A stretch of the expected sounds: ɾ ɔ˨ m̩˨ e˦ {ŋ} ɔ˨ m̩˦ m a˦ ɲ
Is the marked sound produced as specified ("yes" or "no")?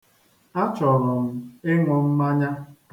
yes